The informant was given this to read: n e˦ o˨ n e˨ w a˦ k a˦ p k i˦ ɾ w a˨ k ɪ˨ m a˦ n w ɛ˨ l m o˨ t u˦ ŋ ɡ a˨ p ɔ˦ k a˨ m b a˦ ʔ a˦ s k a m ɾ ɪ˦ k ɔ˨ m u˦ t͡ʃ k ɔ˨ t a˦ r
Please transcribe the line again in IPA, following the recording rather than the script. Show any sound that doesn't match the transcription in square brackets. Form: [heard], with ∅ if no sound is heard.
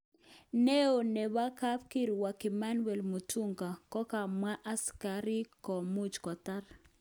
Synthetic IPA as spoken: n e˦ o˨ n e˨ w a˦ k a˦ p k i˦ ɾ w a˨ k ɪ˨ m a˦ n w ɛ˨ l m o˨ t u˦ ŋ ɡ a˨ [k] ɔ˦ k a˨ m [w] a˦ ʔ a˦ s k a [∅] ɾ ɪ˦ k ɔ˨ m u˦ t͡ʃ k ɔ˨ t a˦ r